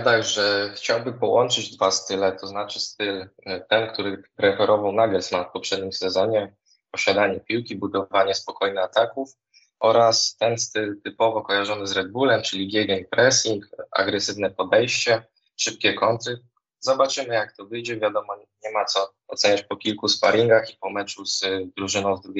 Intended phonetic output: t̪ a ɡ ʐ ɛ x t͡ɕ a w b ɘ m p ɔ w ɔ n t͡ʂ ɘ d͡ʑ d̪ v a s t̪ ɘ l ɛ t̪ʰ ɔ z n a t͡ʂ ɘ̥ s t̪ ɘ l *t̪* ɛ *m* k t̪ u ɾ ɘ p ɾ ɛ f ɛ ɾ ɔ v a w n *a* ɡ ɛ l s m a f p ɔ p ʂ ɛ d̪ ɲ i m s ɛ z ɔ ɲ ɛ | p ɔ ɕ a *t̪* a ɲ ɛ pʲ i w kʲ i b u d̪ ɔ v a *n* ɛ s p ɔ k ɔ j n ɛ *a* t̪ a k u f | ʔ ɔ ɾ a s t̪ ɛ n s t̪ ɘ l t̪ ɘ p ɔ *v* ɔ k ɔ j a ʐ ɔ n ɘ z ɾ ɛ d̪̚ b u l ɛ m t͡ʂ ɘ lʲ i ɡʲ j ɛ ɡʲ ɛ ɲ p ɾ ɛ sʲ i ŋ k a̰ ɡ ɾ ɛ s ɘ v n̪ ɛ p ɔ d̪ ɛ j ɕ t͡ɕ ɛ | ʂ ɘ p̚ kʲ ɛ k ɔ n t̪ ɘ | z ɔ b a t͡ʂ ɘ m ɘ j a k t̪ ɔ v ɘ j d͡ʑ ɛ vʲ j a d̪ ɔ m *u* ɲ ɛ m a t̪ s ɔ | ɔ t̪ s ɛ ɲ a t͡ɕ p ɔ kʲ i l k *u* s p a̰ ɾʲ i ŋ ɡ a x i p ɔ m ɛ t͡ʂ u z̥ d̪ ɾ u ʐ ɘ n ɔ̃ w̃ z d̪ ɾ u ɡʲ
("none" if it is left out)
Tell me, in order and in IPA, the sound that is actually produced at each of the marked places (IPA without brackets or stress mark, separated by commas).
t̪, n, a, d̪, ɲ, a, v, ɔ, u